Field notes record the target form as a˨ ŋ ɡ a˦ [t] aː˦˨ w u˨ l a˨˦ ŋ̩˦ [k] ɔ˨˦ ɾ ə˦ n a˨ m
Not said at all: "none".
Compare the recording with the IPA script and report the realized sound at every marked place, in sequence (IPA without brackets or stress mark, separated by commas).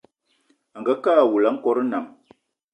k, k